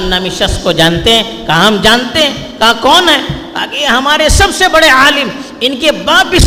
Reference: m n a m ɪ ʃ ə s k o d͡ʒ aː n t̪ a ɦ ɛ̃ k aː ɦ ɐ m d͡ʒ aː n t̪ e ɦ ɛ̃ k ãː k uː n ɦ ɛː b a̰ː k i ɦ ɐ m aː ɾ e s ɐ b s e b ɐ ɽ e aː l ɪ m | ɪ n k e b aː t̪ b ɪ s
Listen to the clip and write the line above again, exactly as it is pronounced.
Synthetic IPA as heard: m n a m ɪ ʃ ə s k o d͡ʒ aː n t̪ e ɦ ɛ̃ k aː ɦ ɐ m d͡ʒ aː n t̪ e ɦ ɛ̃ k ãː k ɔː n ɦ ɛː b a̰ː k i ɦ ɐ m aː ɾ e s ɐ b s e b ɐ ɽ e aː l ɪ m | ɪ n k e b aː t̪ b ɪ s